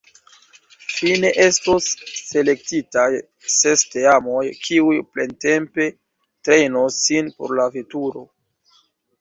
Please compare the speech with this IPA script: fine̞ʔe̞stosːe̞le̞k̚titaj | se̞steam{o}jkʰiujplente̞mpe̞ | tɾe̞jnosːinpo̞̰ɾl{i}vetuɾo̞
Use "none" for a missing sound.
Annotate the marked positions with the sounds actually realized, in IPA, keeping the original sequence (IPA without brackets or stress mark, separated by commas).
o, a